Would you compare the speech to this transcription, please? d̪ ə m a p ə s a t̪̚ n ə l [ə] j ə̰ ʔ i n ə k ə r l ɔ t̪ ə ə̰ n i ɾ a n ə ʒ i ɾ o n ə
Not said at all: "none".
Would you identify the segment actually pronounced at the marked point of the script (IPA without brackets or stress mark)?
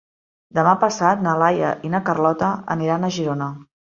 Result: a